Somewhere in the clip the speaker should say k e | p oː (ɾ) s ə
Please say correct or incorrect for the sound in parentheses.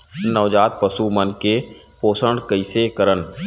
incorrect: none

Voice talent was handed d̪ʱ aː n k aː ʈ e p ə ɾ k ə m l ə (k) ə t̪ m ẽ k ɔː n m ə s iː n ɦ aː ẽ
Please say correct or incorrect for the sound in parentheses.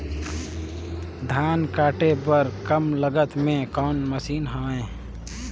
incorrect: ɡ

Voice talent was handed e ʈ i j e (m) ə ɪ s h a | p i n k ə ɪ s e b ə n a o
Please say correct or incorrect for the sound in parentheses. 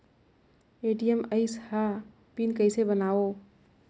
correct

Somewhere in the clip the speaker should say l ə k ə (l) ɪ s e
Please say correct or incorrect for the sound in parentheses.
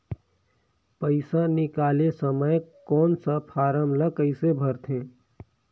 incorrect: none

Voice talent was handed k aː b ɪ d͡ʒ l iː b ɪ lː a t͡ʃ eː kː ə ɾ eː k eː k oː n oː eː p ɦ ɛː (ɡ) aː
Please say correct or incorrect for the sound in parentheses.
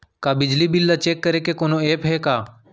incorrect: k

